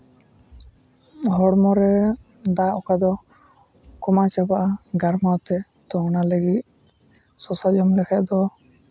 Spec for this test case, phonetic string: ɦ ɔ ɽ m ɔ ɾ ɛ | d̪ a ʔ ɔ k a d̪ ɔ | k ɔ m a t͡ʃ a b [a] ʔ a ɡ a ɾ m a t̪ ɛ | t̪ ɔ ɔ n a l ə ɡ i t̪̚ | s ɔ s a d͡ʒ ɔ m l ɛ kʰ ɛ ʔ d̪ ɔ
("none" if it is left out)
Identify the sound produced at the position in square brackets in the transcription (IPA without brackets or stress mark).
a